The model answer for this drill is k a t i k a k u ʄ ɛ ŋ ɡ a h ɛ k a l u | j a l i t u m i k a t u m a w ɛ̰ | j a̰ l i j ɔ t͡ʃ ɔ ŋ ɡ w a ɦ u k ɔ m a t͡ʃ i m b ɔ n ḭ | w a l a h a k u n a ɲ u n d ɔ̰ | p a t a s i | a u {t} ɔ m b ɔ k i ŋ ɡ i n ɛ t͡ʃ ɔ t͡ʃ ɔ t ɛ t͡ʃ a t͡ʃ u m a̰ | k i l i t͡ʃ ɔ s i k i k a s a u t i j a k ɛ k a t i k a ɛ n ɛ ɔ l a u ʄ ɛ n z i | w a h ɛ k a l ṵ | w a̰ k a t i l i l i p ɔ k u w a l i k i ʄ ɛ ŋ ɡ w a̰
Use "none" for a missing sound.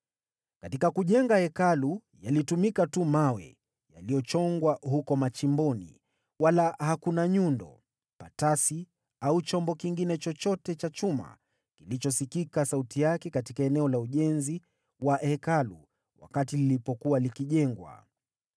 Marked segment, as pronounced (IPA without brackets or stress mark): t͡ʃ